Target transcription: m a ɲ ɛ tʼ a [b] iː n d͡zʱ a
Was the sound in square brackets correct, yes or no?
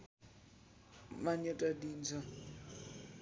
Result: no